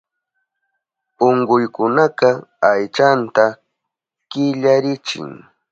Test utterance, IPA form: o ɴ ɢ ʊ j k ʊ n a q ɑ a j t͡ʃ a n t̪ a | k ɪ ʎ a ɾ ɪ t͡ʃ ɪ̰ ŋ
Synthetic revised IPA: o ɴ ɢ ʊ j k ʊ n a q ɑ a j t͡ʃ a n t̪ a | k ɪ ʎ a ɾ ɪ t͡ʃ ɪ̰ ŋ